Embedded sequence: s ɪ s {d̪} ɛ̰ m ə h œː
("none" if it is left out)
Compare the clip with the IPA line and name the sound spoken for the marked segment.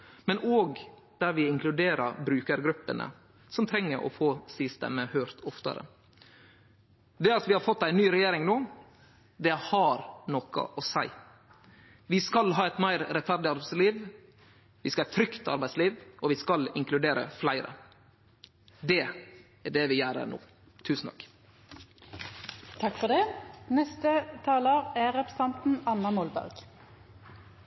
t̪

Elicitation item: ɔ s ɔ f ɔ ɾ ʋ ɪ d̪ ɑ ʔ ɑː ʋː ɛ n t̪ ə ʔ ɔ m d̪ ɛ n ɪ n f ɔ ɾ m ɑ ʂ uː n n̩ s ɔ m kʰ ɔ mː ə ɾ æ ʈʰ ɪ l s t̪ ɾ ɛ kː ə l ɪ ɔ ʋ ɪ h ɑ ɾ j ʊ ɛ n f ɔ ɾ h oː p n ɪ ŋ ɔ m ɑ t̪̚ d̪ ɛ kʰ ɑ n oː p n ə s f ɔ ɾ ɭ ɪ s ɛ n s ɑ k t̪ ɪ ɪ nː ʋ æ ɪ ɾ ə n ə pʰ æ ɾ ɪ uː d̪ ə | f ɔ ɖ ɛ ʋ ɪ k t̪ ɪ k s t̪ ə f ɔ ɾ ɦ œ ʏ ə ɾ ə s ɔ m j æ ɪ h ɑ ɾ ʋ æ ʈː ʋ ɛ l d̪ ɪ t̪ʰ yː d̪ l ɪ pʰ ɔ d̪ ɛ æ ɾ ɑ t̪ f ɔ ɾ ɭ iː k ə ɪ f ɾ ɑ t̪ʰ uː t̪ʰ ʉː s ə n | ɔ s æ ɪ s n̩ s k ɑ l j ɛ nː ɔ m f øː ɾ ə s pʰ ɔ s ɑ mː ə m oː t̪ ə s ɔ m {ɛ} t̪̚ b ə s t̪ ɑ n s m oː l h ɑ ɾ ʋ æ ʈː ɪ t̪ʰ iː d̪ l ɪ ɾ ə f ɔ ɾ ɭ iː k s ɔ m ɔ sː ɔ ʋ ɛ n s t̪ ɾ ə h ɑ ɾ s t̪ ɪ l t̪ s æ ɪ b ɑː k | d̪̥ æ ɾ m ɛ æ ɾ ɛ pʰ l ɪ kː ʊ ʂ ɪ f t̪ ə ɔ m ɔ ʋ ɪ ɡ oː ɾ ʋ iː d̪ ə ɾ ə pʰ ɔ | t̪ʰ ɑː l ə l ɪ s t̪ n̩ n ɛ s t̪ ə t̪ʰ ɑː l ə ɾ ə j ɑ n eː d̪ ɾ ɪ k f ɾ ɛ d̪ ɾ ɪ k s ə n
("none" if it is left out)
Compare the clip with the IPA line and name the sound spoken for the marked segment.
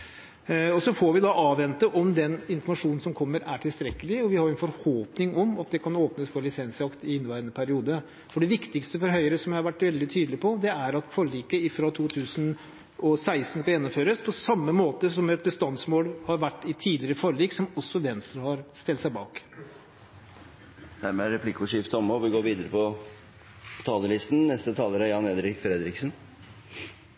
ɛ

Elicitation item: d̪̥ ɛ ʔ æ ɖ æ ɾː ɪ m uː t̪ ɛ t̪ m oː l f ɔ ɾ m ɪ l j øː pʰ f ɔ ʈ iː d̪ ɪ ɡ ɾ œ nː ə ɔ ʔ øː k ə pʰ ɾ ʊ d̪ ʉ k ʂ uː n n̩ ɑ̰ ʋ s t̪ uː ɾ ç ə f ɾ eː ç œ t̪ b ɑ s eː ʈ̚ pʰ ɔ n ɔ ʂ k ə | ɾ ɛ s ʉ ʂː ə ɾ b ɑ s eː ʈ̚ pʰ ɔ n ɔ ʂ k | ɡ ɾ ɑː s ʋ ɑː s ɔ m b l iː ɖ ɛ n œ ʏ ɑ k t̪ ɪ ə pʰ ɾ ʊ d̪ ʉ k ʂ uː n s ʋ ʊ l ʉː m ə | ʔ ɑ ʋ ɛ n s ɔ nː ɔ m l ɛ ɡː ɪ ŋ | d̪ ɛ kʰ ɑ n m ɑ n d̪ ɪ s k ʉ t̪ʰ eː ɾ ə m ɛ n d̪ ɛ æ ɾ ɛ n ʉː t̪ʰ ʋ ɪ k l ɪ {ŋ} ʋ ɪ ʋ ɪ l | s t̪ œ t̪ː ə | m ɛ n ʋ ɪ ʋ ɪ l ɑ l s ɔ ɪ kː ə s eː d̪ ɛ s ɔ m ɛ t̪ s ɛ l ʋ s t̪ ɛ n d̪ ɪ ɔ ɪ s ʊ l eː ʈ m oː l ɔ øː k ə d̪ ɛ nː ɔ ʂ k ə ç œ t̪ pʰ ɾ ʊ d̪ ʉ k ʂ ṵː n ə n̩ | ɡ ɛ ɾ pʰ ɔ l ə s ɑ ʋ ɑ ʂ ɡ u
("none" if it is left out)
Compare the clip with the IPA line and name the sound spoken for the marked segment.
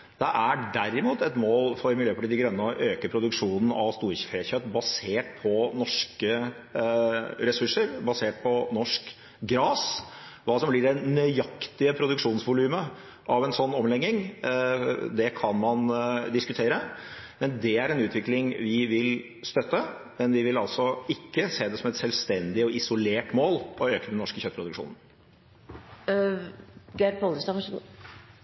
ŋ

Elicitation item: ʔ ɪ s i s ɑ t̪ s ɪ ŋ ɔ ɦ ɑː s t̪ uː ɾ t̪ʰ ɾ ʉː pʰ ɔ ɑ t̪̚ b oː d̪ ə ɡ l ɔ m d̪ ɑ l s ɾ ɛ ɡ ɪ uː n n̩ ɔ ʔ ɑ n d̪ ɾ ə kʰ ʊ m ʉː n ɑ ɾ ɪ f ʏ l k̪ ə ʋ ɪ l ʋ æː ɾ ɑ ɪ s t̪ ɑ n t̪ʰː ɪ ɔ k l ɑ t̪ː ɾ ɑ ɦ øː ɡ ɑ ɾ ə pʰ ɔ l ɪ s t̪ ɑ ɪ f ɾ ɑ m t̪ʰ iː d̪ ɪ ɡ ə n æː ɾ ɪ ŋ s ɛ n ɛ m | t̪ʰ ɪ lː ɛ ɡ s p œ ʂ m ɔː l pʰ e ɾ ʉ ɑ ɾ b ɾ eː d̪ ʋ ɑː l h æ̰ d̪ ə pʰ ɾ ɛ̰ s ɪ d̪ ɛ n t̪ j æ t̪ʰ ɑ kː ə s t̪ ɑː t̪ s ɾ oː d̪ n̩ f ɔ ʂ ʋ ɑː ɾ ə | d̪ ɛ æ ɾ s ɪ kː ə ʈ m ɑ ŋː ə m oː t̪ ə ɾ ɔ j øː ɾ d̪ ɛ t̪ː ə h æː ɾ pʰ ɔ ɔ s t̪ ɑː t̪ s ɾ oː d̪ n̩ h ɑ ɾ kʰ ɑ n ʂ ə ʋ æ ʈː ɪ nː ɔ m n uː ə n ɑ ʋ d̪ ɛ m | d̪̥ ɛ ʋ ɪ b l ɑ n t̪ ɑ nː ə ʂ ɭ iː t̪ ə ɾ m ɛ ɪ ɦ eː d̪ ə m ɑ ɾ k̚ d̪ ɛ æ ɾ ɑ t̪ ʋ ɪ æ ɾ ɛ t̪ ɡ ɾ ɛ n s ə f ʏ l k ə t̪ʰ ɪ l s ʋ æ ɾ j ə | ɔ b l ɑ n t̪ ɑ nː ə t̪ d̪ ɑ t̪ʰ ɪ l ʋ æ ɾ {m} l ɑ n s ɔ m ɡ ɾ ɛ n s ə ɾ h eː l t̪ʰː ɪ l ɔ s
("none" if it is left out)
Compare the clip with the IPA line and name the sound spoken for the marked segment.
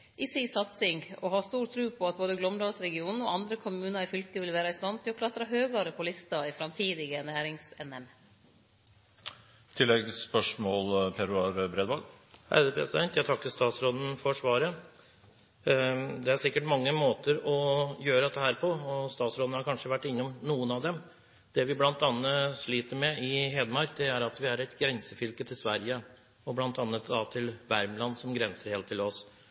m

